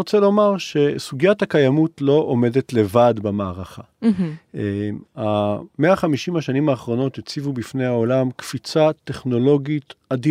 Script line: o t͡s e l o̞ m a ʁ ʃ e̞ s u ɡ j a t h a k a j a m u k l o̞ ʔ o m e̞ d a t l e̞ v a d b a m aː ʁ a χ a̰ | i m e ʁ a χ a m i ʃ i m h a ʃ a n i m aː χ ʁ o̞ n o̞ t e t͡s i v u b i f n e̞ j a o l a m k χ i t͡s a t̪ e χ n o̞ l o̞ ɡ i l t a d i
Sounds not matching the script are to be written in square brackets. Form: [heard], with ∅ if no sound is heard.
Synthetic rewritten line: o t͡s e l o̞ m a ʁ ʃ e̞ s u ɡ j a t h a k a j a m u [t] l o̞ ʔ o m e̞ d [e] t l e̞ v a d b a m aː ʁ a χ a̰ | [a] m e [∅] a χ a m i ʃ i m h a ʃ a n i m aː χ ʁ o̞ n o̞ t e t͡s i v u b i f n e̞ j a o l a m k [f] i t͡s a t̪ e χ n o̞ l o̞ ɡ i [∅] t a d i